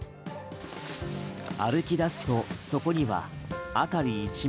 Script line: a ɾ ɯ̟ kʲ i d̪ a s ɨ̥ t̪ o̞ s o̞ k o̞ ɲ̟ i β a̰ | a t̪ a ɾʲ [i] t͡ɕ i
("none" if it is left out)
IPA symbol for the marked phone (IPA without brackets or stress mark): iː